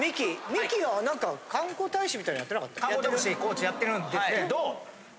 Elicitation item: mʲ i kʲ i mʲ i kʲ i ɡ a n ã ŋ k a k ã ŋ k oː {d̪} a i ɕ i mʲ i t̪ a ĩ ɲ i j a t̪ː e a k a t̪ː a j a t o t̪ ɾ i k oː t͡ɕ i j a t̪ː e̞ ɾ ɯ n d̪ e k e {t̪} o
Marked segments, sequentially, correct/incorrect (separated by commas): incorrect, incorrect